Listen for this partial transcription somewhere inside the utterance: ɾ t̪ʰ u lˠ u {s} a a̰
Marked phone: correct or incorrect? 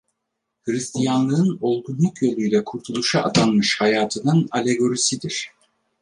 incorrect